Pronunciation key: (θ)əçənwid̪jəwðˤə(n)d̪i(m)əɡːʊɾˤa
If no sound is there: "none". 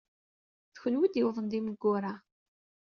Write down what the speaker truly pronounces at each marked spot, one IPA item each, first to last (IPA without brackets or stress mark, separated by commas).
θ, n, m